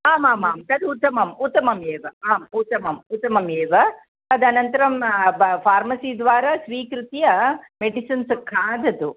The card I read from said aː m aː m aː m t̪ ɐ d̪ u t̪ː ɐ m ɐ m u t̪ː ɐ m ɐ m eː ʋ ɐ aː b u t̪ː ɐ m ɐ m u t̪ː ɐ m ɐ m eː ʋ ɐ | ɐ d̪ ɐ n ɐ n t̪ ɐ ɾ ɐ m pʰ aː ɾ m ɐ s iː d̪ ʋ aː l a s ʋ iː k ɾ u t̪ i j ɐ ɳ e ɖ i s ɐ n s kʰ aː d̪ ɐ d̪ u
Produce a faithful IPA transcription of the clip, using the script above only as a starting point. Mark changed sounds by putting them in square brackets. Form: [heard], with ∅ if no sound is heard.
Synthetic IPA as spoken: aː m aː m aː m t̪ ɐ d̪ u t̪ː ɐ m ɐ m u t̪ː ɐ m ɐ m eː ʋ ɐ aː [m] u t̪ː ɐ m ɐ m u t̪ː ɐ m ɐ m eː ʋ ɐ | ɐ d̪ ɐ n ɐ n t̪ ɐ ɾ ɐ m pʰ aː ɾ m ɐ s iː d̪ ʋ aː [ɾ] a s ʋ iː k ɾ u t̪ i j ɐ [m] e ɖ i s ɐ n s kʰ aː d̪ ɐ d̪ u